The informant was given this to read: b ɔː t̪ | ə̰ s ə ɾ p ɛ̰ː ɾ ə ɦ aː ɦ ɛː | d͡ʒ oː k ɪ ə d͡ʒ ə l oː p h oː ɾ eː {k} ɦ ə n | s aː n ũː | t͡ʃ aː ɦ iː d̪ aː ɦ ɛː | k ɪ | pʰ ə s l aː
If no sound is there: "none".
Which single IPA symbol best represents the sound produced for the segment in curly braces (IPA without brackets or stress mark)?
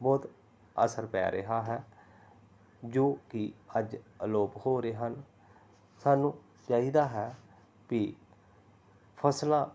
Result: none